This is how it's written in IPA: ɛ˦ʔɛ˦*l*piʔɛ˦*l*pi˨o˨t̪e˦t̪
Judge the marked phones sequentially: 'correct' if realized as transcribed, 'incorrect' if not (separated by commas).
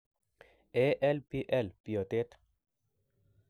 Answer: correct, correct